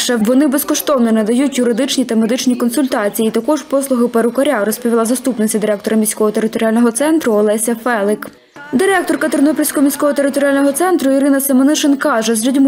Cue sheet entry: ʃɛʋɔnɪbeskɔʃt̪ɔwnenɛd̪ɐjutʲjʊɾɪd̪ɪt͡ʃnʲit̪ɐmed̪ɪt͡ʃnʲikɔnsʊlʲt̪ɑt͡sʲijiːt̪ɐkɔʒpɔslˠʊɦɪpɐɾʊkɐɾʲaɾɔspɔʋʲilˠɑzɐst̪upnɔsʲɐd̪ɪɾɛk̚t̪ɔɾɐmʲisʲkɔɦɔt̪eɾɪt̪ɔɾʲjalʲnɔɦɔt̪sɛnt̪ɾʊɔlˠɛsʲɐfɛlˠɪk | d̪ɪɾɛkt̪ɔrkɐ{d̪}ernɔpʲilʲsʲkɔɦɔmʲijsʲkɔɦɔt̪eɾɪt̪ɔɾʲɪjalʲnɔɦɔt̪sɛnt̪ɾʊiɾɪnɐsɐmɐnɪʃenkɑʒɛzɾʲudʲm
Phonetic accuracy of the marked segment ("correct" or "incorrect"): incorrect